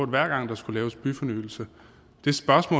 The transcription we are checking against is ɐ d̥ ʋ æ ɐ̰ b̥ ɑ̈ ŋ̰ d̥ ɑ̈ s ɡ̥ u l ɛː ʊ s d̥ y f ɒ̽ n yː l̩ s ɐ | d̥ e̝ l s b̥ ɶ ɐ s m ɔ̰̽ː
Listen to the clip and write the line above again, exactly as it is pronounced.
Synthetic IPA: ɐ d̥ ʋ æ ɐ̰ ɡ̥ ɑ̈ ŋ̰ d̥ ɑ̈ s ɡ̥ u l ɛː ʊ s b̥ y f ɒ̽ n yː l̩ s ə | d̥ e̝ s b̥ ɶ ɐ s m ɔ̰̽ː